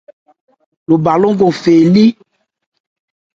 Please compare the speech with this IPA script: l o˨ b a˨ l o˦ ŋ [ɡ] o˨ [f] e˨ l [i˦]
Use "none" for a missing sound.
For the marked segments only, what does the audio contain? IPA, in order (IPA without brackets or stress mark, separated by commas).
ɡ, f, i˦